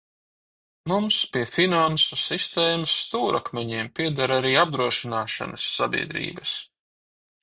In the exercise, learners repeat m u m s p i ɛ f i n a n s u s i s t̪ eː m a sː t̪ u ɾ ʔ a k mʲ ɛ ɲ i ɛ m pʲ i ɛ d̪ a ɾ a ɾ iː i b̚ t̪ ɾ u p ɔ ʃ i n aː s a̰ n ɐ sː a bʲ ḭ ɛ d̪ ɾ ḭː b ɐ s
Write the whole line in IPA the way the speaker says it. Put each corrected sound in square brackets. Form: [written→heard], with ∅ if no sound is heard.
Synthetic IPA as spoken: m u m s p i ɛ f i n a n s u s i s t̪ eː m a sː t̪ [u→uː] ɾ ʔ a k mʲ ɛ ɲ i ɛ m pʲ i ɛ d̪ a ɾ a ɾ iː [i→a] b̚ [t̪→d̪] ɾ u [p→∅] ɔ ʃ i n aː [s→ʃ] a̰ n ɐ sː a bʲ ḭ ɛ d̪ ɾ ḭː b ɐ s